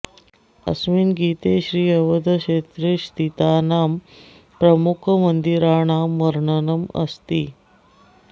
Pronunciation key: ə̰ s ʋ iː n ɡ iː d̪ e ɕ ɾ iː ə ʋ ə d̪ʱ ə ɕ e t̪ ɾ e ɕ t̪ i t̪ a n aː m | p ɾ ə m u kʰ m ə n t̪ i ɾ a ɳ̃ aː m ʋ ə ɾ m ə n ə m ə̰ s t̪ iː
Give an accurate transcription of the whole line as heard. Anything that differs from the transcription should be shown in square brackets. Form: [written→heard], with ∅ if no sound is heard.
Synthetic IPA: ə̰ s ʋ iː n ɡ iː [d̪→t̪] e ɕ ɾ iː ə ʋ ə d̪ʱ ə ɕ e t̪ ɾ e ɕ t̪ i t̪ a n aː m | p ɾ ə m u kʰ m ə n [t̪→d̪] i ɾ a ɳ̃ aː m ʋ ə ɾ [m→ɳ] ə n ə m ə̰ s t̪ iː